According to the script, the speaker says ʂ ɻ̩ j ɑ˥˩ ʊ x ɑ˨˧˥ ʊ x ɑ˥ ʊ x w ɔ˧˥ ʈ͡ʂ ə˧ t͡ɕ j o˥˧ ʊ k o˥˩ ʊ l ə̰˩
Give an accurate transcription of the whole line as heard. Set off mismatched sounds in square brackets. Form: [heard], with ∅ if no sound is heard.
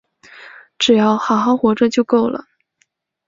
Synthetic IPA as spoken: [ʈ͡ʂ] ɻ̩ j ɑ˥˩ ʊ x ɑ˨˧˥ ʊ x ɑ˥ ʊ x w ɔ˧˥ ʈ͡ʂ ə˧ t͡ɕ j o˥˧ ʊ k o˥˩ ʊ l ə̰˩